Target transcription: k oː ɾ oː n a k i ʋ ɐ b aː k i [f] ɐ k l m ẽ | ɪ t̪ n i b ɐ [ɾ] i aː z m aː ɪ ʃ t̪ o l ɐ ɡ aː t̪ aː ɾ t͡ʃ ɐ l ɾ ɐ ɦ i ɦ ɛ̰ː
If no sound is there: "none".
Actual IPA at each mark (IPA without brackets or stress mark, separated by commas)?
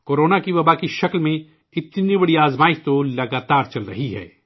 ʃ, ɽ